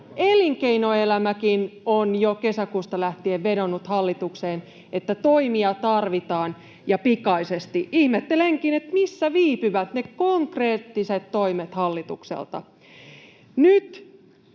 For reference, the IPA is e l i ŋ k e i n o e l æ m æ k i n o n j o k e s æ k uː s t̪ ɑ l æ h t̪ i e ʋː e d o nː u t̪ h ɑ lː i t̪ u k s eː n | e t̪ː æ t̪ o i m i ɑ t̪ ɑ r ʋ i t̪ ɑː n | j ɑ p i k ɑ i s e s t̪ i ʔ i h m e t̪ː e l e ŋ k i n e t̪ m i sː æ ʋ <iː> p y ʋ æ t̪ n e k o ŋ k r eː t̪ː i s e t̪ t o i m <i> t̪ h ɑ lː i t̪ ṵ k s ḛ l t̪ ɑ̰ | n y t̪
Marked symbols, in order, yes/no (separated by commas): yes, no